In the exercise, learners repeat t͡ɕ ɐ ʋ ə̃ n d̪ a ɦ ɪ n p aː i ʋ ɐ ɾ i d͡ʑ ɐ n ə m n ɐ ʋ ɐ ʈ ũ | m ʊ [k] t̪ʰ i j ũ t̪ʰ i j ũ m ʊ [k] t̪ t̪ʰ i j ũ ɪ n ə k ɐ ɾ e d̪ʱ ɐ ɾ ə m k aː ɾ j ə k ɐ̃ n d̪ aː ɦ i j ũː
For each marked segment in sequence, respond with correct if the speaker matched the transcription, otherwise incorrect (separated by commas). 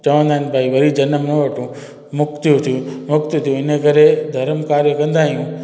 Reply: correct, correct